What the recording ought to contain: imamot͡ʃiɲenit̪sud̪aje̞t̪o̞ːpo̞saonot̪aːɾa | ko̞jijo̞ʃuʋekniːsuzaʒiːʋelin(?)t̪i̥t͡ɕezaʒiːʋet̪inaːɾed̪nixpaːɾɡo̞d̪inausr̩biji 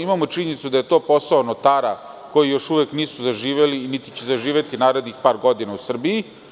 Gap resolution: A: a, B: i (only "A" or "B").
B